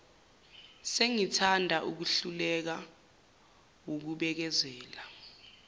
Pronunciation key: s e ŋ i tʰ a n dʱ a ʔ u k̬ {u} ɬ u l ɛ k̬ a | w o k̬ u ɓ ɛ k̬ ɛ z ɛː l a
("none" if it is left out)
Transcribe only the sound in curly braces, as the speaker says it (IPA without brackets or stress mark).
u